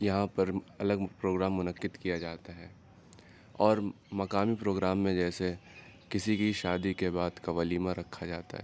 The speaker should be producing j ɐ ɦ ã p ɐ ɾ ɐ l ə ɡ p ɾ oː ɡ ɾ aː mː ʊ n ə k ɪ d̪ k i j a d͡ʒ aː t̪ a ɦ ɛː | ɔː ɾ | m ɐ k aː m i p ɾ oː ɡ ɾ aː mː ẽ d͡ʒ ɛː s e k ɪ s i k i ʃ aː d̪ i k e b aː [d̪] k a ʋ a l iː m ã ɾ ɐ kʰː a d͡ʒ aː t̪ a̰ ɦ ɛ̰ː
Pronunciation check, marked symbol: correct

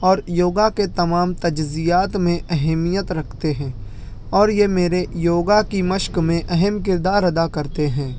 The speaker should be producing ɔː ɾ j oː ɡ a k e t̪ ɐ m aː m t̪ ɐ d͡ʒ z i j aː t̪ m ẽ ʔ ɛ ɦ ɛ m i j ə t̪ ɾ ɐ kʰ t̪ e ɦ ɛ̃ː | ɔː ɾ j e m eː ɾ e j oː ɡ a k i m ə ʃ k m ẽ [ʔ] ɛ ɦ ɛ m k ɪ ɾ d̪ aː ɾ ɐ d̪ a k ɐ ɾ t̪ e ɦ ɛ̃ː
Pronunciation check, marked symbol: correct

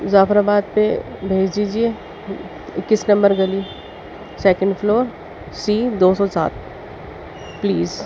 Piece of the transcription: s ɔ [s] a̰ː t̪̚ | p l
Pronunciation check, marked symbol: correct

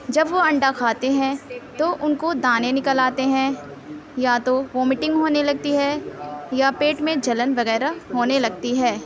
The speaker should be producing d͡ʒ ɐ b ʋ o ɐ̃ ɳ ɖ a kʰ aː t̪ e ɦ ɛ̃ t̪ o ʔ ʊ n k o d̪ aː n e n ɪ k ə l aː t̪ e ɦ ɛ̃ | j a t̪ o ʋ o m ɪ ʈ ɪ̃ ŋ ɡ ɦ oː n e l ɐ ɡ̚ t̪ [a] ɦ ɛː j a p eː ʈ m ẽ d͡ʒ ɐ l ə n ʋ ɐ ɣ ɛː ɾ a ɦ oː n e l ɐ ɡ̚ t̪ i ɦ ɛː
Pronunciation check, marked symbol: incorrect: i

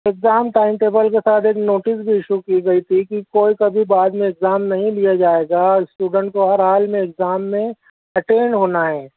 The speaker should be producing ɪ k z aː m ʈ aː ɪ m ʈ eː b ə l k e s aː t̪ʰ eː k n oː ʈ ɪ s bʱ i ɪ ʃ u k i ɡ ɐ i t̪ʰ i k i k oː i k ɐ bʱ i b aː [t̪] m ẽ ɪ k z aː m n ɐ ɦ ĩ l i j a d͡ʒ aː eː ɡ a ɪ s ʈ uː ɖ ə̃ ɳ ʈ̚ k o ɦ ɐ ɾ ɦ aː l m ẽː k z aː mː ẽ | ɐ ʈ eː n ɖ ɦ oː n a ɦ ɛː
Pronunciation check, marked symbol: incorrect: d̪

